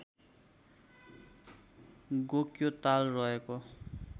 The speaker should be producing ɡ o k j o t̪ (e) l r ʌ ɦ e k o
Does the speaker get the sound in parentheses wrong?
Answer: yes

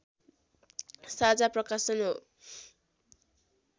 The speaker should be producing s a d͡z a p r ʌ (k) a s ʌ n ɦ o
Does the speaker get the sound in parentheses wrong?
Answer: no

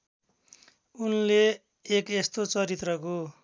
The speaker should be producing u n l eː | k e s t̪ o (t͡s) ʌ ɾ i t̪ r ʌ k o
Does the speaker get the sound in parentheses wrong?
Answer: no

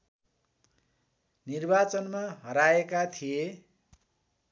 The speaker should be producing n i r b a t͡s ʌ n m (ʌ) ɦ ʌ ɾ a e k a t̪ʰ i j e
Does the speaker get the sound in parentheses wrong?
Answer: yes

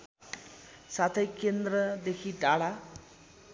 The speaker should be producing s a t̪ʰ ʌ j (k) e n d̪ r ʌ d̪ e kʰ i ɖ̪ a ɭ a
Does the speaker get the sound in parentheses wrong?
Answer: no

